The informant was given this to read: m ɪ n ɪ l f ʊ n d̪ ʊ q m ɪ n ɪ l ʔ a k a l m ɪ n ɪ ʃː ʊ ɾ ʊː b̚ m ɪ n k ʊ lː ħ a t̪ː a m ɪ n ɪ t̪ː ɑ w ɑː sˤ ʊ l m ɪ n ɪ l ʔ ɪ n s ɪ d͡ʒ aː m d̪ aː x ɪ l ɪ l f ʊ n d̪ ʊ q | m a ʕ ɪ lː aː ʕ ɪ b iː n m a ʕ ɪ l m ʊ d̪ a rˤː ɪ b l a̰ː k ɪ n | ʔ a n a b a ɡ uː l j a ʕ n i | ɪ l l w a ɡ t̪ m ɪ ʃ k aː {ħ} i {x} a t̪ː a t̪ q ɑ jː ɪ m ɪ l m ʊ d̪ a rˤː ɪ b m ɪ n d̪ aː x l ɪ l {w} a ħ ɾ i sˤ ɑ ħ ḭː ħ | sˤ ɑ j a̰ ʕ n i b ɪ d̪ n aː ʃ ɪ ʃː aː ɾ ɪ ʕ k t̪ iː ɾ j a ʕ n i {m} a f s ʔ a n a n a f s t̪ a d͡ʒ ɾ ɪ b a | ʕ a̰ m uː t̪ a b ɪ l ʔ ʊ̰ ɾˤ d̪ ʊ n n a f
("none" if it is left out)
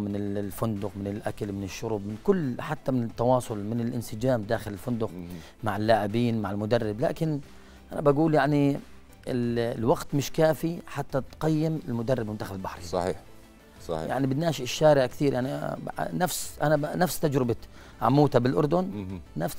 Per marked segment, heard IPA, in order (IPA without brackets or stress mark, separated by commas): f, ħ, b, n